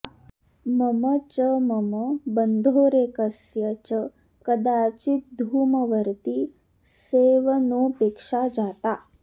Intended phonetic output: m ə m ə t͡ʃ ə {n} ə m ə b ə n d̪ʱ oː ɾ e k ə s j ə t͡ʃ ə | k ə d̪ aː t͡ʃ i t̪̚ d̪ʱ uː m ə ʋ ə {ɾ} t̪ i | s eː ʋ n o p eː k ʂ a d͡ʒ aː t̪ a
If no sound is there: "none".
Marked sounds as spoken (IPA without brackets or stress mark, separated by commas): m, ɾ